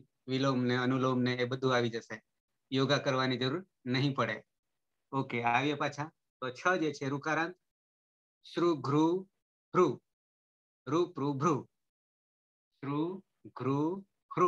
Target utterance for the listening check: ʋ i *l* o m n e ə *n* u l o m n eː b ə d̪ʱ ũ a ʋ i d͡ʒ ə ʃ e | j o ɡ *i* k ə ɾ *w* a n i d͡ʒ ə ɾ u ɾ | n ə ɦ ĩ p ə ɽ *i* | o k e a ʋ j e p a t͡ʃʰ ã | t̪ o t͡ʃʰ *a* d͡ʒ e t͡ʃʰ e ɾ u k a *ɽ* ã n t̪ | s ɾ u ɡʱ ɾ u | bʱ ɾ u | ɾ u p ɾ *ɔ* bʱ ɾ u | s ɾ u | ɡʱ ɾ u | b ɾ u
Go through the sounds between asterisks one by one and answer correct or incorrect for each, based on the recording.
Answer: correct, correct, incorrect: a, incorrect: ʋ, incorrect: e, incorrect: ə, incorrect: ɾ, incorrect: u

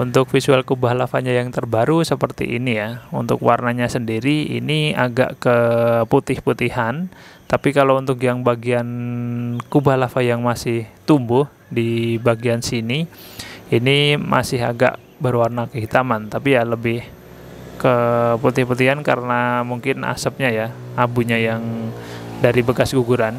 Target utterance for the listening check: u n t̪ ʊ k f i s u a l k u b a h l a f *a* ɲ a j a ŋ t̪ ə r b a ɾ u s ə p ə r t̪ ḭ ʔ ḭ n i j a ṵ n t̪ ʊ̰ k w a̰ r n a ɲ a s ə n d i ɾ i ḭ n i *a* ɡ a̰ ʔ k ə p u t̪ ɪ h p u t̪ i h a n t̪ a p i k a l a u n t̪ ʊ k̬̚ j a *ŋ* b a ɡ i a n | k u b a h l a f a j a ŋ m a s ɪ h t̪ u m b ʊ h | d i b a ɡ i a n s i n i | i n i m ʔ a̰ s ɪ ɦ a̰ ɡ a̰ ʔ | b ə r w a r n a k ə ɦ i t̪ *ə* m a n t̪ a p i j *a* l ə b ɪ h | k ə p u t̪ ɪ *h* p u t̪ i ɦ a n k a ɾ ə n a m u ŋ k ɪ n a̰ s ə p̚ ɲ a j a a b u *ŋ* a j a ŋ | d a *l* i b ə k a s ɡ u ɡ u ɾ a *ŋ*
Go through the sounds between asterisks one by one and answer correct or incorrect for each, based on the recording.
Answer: correct, correct, correct, incorrect: a, correct, correct, incorrect: ɲ, incorrect: ɾ, incorrect: n

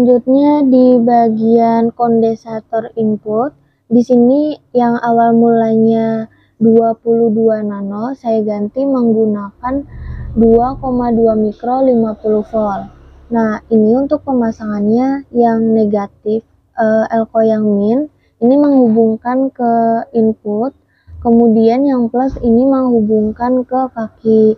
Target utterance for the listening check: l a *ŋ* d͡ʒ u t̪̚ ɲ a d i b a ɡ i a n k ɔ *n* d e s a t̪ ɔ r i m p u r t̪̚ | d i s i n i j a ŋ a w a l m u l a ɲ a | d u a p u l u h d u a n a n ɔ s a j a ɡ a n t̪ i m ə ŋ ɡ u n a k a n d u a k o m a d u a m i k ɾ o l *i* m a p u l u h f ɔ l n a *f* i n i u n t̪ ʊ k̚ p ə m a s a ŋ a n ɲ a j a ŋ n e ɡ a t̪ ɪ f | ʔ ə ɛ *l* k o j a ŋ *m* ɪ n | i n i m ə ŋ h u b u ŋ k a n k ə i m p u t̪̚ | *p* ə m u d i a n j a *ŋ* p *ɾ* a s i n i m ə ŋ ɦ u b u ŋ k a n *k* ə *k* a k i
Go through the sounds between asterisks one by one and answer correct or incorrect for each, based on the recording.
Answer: incorrect: ɲ, correct, correct, incorrect: h, correct, correct, incorrect: k, correct, incorrect: l, correct, correct

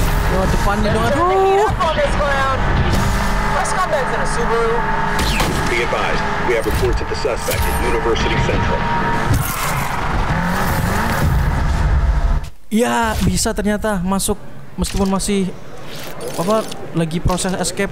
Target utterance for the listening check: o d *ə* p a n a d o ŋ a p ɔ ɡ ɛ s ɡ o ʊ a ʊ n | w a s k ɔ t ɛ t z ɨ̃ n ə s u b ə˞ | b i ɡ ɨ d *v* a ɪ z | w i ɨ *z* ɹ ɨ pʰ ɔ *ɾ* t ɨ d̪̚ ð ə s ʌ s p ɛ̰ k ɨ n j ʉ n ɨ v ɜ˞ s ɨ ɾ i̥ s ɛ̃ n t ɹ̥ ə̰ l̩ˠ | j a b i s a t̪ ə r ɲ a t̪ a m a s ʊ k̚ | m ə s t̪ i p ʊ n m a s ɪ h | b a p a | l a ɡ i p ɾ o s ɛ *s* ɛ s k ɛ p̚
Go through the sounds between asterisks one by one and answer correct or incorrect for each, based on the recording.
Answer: correct, correct, incorrect: v, incorrect: ɹ, correct

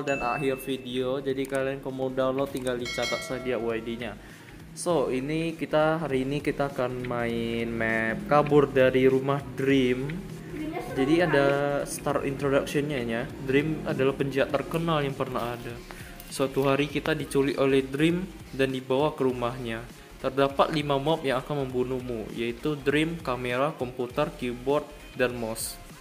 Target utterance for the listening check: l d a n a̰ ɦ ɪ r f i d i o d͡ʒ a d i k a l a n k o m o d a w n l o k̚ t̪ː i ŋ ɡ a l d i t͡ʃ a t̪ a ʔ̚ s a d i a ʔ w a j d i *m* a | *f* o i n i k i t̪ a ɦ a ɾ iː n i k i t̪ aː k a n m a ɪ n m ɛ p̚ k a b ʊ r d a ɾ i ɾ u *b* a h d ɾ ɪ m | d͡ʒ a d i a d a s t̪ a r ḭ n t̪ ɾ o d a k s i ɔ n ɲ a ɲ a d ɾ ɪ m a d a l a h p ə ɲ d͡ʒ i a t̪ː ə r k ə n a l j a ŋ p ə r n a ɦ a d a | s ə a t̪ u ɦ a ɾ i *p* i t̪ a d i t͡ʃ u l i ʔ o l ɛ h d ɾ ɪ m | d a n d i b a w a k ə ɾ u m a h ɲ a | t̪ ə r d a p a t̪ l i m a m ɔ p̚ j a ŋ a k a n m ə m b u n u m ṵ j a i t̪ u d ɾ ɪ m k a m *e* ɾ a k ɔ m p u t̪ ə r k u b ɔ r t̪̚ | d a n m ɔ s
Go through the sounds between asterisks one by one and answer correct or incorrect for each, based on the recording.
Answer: incorrect: ɲ, incorrect: s, incorrect: m, incorrect: k, correct

